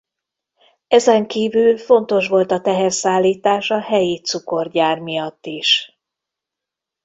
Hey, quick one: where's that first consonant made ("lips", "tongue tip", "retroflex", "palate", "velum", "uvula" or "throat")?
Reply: tongue tip